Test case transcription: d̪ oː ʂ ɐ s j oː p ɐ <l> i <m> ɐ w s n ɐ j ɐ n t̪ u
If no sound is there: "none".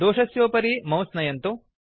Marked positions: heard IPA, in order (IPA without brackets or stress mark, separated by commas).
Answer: ɾ, m